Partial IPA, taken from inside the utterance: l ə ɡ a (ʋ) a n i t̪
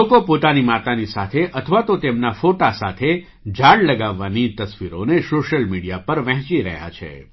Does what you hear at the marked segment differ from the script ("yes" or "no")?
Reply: yes